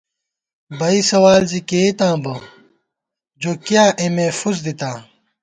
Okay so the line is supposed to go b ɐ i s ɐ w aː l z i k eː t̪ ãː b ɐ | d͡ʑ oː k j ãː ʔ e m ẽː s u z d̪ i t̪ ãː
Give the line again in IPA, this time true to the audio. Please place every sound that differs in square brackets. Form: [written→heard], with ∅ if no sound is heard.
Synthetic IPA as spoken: b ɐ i s ɐ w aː l z i k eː t̪ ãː b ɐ | d͡ʑ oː k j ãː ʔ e m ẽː [s→f] u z d̪ i t̪ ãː